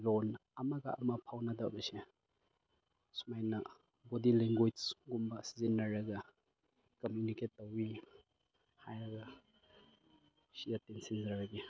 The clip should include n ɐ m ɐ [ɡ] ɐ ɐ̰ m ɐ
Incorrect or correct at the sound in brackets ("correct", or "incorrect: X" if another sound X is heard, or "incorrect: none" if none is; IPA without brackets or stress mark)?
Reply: correct